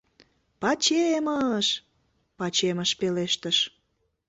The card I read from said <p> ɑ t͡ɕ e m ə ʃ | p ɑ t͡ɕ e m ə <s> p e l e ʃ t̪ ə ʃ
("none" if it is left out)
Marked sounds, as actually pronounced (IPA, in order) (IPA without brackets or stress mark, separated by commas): p, ʃ